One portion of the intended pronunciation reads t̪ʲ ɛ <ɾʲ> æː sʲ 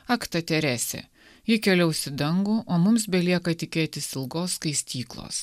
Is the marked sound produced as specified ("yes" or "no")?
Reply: yes